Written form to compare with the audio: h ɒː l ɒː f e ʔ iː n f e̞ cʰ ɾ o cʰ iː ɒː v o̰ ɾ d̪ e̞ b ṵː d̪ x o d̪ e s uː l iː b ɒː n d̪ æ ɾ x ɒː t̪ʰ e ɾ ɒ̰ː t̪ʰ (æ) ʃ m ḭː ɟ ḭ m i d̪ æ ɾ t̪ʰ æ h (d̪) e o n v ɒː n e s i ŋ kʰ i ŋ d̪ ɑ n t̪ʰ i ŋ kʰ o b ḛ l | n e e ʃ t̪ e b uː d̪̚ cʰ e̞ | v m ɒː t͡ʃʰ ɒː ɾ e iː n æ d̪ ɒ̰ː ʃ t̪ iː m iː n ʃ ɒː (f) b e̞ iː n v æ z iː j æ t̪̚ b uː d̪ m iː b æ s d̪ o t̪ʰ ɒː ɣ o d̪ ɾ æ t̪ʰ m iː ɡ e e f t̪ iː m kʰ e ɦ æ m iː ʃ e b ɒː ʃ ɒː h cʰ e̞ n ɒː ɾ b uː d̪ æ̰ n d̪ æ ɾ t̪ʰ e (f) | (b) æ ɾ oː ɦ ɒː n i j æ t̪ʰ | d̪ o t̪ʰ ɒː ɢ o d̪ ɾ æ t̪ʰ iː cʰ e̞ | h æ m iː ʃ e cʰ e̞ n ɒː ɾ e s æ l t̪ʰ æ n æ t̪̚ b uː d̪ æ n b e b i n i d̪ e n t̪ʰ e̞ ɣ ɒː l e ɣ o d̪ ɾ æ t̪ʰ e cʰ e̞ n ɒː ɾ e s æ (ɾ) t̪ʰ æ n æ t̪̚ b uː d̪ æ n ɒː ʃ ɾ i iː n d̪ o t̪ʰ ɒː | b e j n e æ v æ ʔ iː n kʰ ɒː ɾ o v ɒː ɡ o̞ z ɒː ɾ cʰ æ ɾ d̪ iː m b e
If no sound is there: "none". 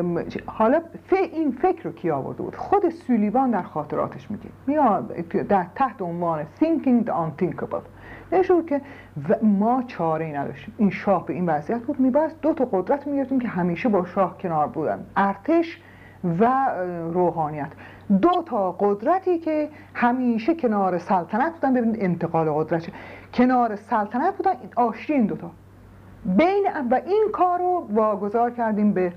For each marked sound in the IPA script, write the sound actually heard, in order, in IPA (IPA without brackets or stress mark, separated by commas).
e, t̪, h, ʃ, v, l